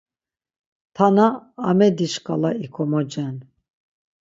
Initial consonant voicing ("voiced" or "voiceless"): voiceless